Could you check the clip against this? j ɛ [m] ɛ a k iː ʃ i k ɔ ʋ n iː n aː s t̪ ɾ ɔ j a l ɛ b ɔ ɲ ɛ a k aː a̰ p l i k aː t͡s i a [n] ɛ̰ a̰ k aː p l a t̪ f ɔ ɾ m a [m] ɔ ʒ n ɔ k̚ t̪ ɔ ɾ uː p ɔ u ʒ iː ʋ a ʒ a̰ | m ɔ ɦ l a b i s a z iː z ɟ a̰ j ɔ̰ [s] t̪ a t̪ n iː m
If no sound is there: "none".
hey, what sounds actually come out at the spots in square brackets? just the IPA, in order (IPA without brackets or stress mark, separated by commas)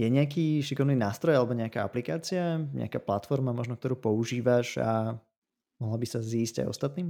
ɲ, ɲ, m, s